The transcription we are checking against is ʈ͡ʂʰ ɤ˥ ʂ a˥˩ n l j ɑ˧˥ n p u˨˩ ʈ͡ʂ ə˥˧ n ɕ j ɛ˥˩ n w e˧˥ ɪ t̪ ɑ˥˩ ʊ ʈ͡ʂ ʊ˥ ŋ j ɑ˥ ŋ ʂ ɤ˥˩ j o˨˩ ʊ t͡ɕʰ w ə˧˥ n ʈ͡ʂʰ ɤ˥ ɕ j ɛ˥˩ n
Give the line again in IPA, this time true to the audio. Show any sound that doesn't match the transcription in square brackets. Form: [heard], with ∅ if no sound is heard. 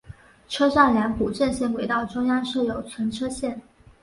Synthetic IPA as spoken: ʈ͡ʂʰ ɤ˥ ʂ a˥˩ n l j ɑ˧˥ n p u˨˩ ʈ͡ʂ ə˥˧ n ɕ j ɛ˥˩ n w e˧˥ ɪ t̪ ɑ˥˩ ʊ ʈ͡ʂ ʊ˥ ŋ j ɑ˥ ŋ ʂ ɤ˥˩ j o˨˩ ʊ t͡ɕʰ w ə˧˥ n ʈ͡ʂʰ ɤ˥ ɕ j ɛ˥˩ n